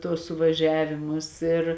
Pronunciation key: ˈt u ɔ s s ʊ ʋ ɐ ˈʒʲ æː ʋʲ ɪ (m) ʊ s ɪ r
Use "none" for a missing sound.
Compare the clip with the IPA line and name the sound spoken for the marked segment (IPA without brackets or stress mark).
m